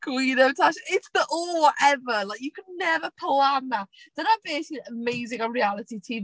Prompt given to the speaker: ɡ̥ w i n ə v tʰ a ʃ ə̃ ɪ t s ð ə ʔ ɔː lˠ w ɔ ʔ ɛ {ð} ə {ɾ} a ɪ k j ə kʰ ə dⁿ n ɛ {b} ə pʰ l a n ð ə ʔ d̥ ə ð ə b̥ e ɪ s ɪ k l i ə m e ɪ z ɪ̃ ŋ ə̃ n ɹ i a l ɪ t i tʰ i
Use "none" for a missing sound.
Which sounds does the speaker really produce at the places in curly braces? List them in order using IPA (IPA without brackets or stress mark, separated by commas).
v, l, v